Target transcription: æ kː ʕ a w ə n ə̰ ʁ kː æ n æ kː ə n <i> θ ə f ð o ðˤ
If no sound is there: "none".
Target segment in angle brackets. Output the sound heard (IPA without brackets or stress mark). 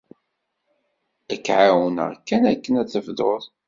æ